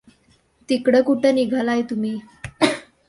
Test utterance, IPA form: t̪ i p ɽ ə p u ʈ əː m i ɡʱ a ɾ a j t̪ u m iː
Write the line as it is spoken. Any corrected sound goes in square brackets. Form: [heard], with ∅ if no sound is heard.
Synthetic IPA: t̪ i [k] ɽ ə [k] u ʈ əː [n] i ɡʱ a [l] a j t̪ u m iː